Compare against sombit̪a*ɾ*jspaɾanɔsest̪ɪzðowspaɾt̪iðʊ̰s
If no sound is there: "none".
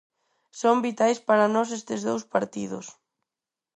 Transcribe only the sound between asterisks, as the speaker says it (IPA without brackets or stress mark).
none